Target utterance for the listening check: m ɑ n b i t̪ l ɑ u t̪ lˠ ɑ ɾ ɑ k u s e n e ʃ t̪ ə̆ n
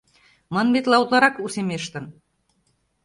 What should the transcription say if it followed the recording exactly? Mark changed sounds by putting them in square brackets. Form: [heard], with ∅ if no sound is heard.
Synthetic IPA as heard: m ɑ n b [e] t̪ l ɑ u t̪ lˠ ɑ ɾ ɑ k u s e [m] e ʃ t̪ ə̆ n